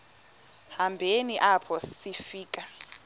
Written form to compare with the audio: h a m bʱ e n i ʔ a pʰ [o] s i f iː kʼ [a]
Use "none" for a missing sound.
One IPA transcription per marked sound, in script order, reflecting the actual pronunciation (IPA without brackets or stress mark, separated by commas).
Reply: ɔ, a